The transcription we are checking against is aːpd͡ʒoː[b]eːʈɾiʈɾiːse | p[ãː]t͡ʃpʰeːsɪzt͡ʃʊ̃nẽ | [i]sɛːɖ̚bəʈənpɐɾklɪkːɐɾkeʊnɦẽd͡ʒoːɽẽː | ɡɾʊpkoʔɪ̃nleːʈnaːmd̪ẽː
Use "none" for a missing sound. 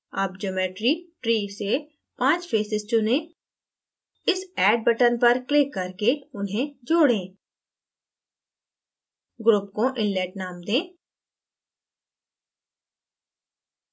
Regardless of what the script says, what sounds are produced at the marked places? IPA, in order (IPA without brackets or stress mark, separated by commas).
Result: m, ãː, ɪ